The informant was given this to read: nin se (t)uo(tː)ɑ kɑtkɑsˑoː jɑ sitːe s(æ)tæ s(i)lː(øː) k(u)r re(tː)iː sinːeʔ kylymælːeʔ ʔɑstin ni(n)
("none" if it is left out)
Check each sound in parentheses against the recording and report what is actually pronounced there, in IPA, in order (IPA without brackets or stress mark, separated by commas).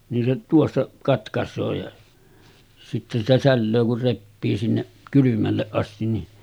t, sː, i, æ, øː, u, pː, none